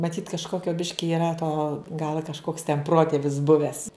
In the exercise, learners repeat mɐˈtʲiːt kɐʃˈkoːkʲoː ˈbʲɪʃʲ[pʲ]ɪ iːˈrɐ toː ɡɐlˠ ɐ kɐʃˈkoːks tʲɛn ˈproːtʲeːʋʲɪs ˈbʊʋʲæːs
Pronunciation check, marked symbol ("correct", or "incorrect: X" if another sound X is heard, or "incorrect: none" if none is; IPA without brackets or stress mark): incorrect: kʲ